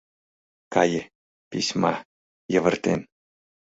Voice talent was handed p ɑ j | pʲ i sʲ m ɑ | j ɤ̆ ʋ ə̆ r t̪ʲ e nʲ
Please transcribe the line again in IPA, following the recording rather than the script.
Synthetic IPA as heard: k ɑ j | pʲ i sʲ m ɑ | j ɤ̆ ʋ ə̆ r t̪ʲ e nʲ